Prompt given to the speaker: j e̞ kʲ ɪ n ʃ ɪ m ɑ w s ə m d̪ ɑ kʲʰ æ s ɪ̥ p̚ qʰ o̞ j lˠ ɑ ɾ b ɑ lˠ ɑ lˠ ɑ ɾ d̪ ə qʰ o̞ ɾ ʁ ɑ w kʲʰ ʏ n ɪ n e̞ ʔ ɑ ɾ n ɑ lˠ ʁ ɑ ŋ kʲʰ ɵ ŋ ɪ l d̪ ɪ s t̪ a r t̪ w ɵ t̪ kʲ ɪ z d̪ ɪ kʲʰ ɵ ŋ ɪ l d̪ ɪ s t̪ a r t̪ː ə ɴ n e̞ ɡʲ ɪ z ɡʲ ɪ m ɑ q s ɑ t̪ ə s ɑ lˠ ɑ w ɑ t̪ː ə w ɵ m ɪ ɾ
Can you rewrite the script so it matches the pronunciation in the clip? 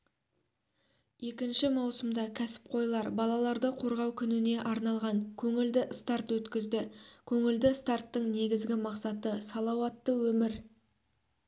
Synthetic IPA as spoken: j e̞ kʲ ɪ n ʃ ɪ m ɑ w s ə m d̪ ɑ kʲʰ æ s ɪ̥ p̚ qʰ o̞ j lˠ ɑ ɾ b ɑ lˠ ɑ lˠ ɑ ɾ d̪ ə qʰ o̞ ɾ ʁ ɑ w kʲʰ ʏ n ɪ n e̞ ʔ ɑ ɾ n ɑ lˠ ʁ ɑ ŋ kʲʰ ɵ ŋ ɪ l d̪ ɪ s t̪ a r t̪ w ɵ t̪ kʲ ɪ z d̪ ɪ kʲʰ ɵ ŋ ɪ l d̪ ɪ s t̪ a r t̪ː ə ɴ n e̞ ɡʲ ɪ z ɡʲ ɪ m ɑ q s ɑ t̪ ə s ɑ lˠ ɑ w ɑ t̪ː ə w ɵ m ɪ ɾ